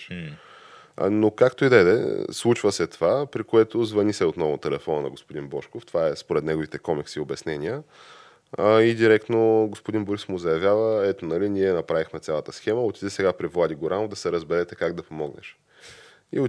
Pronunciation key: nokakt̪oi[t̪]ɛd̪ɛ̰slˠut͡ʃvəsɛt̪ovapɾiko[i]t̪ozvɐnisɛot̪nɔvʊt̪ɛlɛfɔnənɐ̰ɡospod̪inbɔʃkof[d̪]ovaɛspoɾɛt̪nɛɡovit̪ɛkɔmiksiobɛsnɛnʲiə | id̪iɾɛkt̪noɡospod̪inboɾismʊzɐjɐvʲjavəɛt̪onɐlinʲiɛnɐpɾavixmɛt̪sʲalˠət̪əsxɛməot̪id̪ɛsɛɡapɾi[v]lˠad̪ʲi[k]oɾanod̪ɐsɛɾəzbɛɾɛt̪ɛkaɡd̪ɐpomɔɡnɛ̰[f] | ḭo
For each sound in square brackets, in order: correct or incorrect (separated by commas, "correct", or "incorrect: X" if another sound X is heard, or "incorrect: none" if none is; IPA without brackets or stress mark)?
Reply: incorrect: d̪, incorrect: ɛ, incorrect: t̪, correct, incorrect: ɡ, incorrect: ʃ